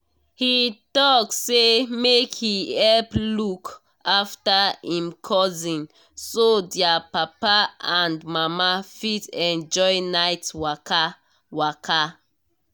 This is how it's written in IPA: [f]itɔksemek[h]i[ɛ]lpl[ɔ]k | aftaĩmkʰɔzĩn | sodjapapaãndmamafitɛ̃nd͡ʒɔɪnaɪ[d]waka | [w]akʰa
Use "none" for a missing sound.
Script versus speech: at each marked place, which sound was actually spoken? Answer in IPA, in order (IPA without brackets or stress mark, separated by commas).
h, h, ɛ, u, t, w